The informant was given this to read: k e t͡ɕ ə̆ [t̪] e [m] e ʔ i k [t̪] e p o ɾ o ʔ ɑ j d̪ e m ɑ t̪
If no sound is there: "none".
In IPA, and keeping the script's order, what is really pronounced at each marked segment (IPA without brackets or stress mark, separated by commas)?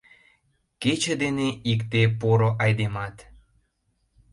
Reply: d̪, n, t̪